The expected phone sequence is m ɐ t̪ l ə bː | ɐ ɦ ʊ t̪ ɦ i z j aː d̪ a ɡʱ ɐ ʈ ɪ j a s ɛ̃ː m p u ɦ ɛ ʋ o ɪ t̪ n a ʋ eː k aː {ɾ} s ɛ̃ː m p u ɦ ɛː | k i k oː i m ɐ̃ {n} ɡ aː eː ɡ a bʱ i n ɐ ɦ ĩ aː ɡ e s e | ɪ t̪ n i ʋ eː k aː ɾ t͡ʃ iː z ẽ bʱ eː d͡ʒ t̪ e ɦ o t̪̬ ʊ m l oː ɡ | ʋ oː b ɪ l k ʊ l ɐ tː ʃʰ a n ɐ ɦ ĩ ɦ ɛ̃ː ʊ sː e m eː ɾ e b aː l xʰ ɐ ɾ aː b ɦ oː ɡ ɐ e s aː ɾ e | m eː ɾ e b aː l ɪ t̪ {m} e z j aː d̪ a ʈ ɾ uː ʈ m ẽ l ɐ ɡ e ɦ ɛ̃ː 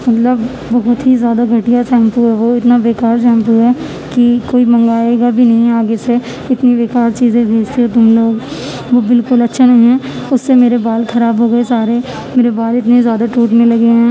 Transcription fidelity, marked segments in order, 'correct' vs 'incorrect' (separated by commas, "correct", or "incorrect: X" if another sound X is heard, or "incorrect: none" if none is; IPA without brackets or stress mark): correct, incorrect: ŋ, incorrect: n